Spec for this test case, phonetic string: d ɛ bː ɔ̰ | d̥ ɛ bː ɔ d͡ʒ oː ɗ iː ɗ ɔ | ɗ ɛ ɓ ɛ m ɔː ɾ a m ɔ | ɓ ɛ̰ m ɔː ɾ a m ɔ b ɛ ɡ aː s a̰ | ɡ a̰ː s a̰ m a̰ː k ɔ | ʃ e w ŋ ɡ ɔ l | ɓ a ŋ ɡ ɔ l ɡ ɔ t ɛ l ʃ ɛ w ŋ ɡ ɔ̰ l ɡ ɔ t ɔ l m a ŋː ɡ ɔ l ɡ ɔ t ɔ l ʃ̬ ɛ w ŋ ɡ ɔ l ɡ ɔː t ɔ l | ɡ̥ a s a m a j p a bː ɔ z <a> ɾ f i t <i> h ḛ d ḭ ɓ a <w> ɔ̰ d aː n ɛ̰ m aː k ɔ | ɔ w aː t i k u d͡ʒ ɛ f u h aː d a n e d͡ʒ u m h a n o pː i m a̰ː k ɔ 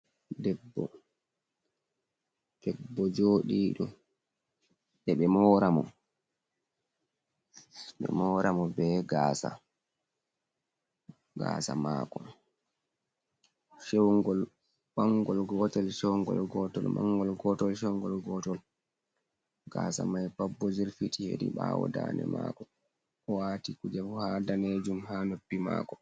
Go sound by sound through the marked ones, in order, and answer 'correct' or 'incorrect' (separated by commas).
incorrect, correct, correct